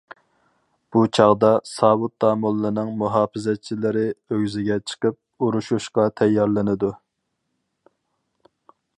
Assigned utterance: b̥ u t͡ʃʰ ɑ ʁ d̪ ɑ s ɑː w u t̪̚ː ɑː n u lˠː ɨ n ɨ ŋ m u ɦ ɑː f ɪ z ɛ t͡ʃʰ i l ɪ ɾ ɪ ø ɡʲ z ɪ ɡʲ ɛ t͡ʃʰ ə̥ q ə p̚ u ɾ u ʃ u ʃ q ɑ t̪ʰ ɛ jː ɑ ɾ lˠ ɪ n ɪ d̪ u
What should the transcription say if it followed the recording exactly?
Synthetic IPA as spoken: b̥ u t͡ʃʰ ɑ ʁ d̪ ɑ s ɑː w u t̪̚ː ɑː m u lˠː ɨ n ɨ ŋ m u ɦ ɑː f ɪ z ɛ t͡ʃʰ i l ɪ ɾ ɪ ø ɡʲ z ɪ ɡʲ ɛ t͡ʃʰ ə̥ q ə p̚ u ɾ u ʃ u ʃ q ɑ t̪ʰ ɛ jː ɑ ɾ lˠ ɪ n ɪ d̪ u

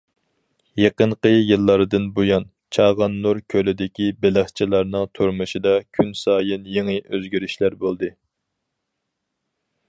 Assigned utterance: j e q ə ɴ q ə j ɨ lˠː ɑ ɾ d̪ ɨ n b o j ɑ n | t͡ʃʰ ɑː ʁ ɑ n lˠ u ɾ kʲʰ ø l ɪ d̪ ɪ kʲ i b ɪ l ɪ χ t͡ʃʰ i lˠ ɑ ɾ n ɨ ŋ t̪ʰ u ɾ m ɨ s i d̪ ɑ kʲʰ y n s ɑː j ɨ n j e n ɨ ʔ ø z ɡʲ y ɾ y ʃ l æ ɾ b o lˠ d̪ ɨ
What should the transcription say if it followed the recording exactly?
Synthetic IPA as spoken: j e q ə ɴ q ə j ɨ lˠː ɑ ɾ d̪ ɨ n b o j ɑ n | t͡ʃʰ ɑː ʁ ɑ n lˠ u ɾ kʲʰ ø l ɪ d̪ ɪ kʲ i b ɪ l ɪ χ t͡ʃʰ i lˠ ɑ ɾ n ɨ ŋ t̪ʰ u ɾ m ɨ ʃ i d̪ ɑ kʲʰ y n s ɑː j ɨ n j e ŋ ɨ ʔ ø z ɡʲ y ɾ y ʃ l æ ɾ b o lˠ d̪ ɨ

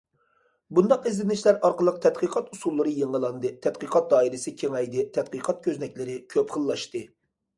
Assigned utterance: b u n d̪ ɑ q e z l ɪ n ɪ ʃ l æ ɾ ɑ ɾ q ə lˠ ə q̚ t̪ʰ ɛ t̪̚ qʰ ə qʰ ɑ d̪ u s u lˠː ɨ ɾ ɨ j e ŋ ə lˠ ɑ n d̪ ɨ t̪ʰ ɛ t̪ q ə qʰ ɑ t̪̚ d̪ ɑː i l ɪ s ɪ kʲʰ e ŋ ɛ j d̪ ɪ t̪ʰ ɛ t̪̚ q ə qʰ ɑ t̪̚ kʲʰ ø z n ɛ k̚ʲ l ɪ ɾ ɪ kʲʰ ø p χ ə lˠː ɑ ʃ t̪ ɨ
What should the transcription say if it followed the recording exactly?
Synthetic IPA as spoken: b u n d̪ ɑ q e z l ɪ n ɪ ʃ l æ ɾ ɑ ɾ q ə lˠ ə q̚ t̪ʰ ɛ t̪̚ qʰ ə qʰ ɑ t̪ u s u lˠː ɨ ɾ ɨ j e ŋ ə lˠ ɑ n d̪ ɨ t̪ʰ ɛ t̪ q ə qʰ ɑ t̪̚ d̪ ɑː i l ɪ s ɪ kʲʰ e ŋ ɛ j d̪ ɪ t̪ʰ ɛ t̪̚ q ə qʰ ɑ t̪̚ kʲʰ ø z n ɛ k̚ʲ l ɪ ɾ ɪ kʲʰ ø p χ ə lˠː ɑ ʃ t̪ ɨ

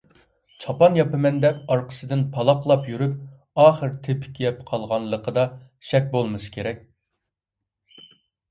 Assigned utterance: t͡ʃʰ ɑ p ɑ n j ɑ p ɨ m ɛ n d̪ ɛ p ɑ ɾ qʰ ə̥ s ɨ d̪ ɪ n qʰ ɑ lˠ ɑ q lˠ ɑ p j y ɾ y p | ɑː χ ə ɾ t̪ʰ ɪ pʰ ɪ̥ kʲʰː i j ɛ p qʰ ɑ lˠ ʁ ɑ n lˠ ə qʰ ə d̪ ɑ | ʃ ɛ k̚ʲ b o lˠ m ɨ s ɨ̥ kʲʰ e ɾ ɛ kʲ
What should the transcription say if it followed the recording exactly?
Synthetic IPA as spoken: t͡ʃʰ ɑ p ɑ n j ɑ p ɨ m ɛ n d̪ ɛ p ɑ ɾ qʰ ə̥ s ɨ d̪ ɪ n pʰ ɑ lˠ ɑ q lˠ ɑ p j y ɾ y p | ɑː χ ə ɾ t̪ʰ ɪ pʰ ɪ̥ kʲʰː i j ɛ p qʰ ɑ lˠ ʁ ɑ n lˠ ə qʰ ə d̪ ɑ | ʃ ɛ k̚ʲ b o lˠ m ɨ s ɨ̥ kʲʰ e ɾ ɛ kʲ

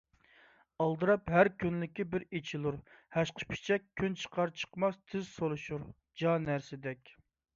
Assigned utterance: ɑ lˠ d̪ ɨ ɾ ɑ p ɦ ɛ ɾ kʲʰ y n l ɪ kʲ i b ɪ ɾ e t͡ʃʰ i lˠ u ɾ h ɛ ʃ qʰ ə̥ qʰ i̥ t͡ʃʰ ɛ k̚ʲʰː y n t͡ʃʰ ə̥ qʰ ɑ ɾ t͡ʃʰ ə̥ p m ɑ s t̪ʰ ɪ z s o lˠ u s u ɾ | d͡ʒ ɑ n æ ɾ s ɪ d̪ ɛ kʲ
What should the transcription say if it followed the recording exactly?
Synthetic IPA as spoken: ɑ lˠ d̪ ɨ ɾ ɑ p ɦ æ ɾ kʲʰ y n l ɪ kʲ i b ɪ ɾ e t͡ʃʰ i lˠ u ɾ h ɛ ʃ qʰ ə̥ pʰ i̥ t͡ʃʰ ɛ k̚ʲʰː y n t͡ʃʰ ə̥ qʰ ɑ ɾ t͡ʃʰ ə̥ q m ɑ s t̪ʰ ɪ z s o lˠ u ʃ u ɾ | d͡ʒ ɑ n æ ɾ s ɪ d̪ ɛ kʲ

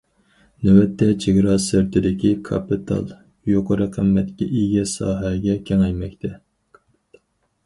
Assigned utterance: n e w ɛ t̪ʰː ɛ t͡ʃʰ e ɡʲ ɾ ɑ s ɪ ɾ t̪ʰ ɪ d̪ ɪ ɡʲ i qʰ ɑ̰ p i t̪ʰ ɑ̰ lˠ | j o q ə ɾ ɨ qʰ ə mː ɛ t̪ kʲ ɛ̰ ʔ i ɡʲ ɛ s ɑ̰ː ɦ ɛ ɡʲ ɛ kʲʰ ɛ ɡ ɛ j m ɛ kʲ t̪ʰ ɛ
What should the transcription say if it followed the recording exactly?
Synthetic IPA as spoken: n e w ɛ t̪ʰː ɛ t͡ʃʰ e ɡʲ ɾ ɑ s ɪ ɾ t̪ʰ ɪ d̪ ɪ kʲ i kʰ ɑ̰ p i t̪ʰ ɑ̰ lˠ | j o q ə ɾ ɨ qʰ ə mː ɛ t̪ kʲ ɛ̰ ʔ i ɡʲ ɛ s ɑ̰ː ɦ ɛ ɡʲ ɛ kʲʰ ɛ ŋ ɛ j m ɛ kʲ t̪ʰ ɛ

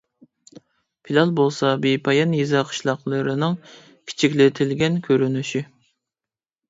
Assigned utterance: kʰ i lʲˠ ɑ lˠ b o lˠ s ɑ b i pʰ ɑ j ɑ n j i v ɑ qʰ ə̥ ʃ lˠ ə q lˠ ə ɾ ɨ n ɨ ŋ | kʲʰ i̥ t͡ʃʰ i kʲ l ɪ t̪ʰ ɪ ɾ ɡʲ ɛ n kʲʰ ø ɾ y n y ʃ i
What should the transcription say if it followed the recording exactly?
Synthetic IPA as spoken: pʰ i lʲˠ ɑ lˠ b o lˠ s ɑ b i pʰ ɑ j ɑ n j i z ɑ qʰ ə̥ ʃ lˠ ɑ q lˠ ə ɾ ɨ n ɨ ŋ | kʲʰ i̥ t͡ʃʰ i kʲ l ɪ t̪ʰ ɪ l ɡʲ ɛ n kʲʰ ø ɾ y n y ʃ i

